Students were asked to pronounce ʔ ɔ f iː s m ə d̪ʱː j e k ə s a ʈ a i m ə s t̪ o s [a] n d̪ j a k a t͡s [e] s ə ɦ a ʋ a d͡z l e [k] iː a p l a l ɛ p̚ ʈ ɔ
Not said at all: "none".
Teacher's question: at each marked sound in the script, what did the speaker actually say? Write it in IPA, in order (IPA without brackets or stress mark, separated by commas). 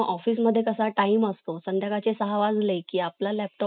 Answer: ə, e, k